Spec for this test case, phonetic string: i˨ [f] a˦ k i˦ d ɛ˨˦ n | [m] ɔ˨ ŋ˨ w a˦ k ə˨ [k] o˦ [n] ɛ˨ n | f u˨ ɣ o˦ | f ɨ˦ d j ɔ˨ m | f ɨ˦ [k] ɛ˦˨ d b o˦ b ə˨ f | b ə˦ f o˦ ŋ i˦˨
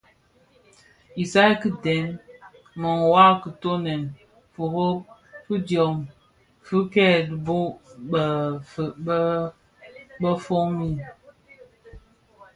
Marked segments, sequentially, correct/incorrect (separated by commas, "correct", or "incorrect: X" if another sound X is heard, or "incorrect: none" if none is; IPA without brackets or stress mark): incorrect: s, correct, incorrect: t, correct, correct